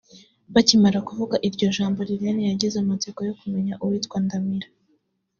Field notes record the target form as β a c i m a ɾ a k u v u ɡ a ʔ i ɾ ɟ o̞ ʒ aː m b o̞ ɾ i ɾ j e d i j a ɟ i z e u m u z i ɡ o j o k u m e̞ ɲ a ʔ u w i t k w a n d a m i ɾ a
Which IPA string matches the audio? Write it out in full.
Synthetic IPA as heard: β a c i m a ɾ a k u v u ɡ a ʔ i ɾ ɟ o̞ ʒ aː m b o̞ ɾ i ɾ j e n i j a ɟ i z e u m u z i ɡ o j o k u m e̞ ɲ a ʔ u w i t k w a n d a m i ɾ a